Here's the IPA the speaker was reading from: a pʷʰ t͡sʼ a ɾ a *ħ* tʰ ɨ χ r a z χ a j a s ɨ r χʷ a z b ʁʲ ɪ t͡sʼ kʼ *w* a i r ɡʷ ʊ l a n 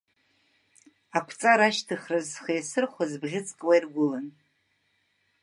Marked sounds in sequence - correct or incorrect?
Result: incorrect: ʃ, correct

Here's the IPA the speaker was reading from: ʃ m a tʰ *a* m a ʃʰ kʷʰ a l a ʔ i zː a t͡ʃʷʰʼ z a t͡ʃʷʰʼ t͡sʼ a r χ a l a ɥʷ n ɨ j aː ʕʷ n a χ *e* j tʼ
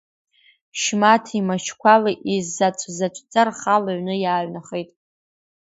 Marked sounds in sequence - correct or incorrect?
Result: incorrect: i, correct

